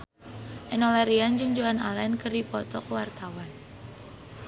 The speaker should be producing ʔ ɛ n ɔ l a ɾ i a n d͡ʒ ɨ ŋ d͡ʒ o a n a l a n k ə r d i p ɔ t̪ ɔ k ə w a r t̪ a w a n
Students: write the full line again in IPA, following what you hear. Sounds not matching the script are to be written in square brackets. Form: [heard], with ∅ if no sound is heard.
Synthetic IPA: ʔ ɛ n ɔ l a ɾ i a n d͡ʒ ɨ ŋ d͡ʒ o a n a l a n k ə r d i p ɔ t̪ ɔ k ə w a r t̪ a w a n